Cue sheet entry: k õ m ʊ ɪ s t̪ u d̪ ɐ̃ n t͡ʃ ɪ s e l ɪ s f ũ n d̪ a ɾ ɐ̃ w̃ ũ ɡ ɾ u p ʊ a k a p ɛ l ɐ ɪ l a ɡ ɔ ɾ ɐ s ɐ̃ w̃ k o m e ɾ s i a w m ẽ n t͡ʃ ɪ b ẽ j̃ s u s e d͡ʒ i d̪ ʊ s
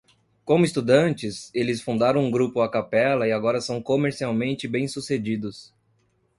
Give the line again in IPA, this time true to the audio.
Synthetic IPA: k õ m ʊ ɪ s t̪ u d̪ ɐ̃ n t͡ʃ ɪ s e l ɪ s f ũ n d̪ a ɾ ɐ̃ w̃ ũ ɡ ɾ u p ʊ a k a p ɛ l ɐ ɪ a ɡ ɔ ɾ ɐ s ɐ̃ w̃ k o m e ɾ s i a w m ẽ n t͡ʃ ɪ b ẽ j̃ s u s e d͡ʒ i d̪ ʊ s